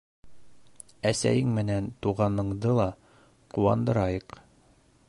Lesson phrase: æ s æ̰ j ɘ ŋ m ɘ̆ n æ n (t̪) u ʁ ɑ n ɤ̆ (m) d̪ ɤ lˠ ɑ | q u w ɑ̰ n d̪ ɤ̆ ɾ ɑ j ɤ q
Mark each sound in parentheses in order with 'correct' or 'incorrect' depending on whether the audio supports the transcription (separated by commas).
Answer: correct, incorrect